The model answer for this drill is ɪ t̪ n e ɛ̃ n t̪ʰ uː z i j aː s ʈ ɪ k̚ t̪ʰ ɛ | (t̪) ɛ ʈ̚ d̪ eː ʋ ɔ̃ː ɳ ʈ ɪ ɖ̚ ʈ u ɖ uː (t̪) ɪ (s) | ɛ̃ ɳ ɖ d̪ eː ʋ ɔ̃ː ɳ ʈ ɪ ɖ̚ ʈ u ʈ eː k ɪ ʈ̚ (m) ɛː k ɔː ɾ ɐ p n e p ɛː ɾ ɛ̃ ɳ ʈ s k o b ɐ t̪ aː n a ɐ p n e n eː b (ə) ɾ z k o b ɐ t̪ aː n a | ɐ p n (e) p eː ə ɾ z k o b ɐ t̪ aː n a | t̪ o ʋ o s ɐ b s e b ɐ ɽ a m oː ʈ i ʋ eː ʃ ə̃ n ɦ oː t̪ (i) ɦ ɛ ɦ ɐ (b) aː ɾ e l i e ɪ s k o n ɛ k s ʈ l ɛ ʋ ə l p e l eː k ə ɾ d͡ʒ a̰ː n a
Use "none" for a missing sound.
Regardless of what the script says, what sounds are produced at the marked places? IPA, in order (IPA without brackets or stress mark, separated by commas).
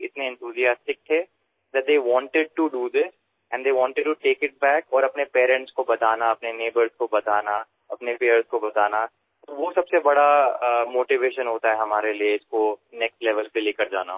d̪, d̪, s, b, ə, e, a, m